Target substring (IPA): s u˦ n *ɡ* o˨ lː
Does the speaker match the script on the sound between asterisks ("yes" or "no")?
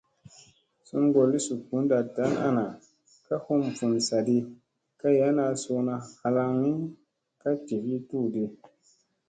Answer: yes